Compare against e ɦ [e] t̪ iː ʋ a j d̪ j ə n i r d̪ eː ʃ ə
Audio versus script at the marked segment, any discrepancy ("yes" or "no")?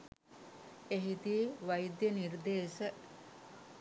yes